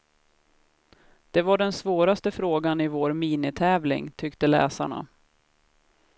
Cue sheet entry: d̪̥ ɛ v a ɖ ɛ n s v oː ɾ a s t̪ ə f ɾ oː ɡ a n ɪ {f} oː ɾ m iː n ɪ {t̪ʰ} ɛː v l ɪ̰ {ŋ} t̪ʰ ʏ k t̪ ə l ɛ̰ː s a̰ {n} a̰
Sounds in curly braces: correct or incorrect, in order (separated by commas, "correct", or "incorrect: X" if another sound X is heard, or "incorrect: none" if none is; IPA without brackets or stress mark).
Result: incorrect: v, correct, correct, incorrect: ɳ